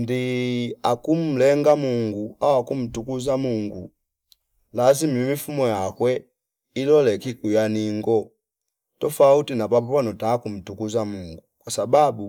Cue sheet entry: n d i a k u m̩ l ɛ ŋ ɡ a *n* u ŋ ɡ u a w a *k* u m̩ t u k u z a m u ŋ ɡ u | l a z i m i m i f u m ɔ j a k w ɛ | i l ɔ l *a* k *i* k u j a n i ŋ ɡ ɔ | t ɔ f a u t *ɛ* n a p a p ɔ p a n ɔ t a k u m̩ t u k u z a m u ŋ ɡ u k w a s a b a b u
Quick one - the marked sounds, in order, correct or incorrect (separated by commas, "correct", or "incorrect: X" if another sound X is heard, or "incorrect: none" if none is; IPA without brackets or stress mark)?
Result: incorrect: m, correct, incorrect: ɛ, correct, incorrect: i